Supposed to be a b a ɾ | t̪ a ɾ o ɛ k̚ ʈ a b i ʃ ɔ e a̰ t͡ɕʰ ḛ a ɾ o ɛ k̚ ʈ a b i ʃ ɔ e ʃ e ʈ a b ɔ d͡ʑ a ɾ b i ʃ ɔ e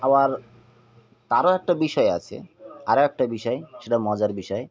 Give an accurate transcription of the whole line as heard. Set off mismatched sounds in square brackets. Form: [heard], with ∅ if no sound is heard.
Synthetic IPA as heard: a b a ɾ | t̪ a ɾ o ɛ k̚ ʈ a b i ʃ ɔ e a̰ t͡ɕʰ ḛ a ɾ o ɛ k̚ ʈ a b i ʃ ɔ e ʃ e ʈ a [m] ɔ d͡ʑ a ɾ b i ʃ ɔ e